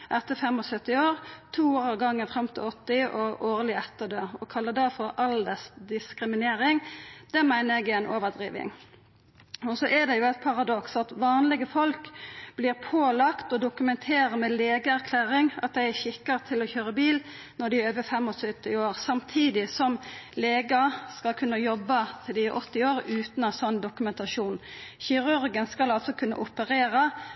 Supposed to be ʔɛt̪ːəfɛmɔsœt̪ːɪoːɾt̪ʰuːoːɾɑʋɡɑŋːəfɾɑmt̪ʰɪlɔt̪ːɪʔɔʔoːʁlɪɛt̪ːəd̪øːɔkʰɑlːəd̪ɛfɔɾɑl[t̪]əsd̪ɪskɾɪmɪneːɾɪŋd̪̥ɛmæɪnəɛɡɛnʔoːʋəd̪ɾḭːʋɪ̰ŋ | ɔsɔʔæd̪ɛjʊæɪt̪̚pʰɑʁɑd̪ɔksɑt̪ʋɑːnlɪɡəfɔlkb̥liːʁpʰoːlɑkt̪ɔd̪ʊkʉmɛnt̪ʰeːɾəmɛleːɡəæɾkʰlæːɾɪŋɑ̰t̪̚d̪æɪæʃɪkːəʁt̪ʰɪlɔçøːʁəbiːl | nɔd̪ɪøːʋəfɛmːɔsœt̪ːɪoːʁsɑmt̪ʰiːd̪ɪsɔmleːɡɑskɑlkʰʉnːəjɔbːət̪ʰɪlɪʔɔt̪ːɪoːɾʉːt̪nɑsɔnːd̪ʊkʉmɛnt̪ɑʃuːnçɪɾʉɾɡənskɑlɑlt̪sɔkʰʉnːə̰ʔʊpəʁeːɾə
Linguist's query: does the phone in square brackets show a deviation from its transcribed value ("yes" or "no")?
yes